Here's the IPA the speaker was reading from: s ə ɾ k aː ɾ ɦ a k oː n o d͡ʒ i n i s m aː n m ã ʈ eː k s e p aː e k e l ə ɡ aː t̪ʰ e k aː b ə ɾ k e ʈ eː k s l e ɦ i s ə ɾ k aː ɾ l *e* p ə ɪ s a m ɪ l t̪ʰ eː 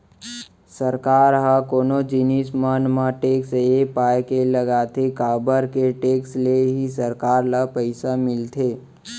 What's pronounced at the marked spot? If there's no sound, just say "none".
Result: a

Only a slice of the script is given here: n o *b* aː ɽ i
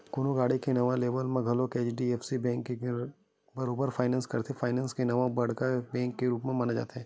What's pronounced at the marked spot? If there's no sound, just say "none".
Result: ɡ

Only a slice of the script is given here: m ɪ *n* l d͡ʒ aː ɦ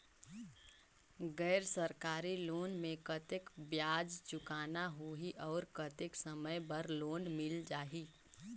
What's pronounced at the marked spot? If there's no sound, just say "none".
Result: none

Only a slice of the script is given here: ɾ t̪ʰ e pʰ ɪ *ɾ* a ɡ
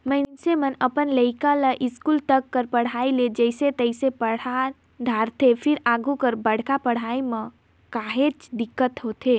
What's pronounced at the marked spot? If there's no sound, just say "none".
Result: ɾ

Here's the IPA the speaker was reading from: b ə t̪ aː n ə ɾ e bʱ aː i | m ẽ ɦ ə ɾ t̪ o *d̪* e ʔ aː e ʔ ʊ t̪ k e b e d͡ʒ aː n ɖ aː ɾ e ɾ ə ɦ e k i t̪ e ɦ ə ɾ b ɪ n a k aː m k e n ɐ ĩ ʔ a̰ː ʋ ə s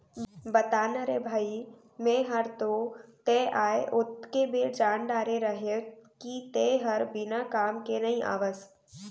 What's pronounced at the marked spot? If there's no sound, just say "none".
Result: t̪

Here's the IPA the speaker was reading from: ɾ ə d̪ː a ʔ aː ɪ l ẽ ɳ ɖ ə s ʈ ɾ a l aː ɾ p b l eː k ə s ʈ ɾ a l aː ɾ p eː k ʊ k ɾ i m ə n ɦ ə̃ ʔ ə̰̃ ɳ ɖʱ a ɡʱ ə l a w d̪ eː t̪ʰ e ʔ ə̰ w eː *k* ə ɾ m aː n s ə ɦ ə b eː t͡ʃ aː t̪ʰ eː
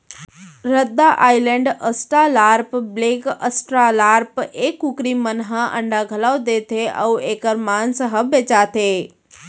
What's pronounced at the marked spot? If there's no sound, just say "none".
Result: k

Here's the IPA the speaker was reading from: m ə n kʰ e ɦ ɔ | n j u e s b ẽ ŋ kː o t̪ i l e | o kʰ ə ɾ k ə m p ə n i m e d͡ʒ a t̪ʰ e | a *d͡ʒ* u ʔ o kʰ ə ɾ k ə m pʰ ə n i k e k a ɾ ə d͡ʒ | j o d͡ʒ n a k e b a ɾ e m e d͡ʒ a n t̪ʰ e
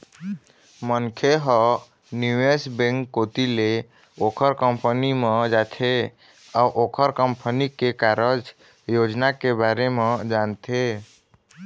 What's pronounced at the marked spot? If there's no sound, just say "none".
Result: none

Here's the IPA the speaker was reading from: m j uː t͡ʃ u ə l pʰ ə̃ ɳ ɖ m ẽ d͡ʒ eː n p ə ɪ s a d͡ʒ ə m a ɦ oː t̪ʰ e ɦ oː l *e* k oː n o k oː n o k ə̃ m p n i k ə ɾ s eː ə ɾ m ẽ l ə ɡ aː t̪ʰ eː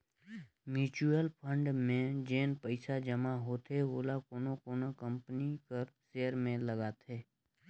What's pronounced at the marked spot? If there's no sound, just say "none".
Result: a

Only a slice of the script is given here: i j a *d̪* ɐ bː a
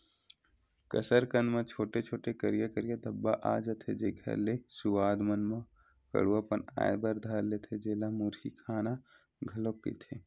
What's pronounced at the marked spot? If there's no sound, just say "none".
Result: d̪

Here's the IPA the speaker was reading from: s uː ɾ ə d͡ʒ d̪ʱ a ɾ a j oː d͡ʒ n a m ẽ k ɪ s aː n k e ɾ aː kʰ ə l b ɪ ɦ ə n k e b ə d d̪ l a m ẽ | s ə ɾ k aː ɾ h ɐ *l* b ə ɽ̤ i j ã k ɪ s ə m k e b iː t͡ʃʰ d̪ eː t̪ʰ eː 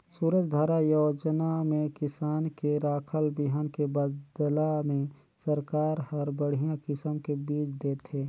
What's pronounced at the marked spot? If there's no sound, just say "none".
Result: ɾ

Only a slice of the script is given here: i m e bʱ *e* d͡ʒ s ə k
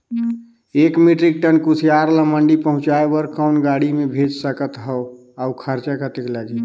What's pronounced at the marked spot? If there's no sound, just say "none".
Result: e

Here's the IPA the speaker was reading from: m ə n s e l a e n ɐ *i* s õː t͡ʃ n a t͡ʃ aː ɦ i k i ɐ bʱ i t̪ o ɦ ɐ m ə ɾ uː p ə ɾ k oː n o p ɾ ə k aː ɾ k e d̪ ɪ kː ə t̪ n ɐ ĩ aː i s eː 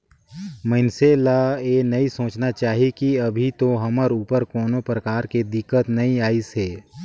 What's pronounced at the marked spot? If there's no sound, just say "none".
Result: i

